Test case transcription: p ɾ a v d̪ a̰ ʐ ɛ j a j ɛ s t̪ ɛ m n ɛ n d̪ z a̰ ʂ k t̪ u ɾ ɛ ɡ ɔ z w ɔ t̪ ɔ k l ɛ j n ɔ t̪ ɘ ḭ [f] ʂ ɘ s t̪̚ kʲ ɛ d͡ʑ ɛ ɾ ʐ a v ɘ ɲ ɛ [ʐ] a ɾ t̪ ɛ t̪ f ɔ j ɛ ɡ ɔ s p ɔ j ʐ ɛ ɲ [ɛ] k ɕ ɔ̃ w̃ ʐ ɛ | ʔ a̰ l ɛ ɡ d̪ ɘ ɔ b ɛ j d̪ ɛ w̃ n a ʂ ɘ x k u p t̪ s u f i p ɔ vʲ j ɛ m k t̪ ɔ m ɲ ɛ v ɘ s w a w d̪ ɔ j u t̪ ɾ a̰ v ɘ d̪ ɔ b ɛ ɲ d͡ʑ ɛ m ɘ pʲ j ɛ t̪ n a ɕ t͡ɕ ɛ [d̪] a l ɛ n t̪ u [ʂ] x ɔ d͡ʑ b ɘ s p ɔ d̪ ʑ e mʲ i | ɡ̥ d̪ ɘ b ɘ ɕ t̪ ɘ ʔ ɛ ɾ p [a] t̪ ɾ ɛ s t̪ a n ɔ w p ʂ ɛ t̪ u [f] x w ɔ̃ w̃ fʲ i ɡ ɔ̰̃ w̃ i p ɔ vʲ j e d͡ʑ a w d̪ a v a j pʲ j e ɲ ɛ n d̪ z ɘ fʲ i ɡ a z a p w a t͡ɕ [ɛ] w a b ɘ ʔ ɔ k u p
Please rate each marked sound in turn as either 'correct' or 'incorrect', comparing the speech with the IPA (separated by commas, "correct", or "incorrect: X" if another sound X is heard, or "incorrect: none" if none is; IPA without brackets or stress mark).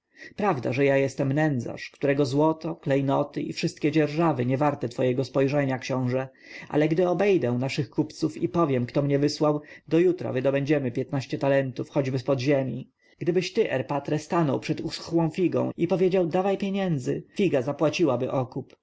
correct, incorrect: v, incorrect: a, incorrect: t̪, incorrect: f, correct, incorrect: s, incorrect: i